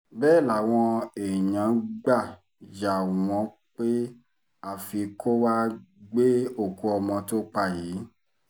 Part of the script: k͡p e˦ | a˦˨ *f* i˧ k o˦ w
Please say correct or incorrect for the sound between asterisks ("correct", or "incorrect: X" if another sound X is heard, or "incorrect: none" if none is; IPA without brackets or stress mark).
correct